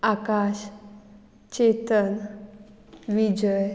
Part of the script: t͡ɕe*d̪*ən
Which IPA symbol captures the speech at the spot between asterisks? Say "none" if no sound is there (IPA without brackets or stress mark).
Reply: t̪